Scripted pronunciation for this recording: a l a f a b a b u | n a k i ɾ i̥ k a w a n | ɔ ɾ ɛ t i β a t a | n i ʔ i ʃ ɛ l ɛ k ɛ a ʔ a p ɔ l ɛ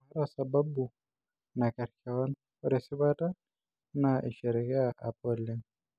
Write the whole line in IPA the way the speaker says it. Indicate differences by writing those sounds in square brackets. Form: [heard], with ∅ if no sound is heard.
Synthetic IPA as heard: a [ɾ] a [s] a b a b u | n a k [a] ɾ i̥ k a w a n | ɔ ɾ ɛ [s] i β a t a | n [a] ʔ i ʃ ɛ [ɾ] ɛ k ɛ a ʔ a p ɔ l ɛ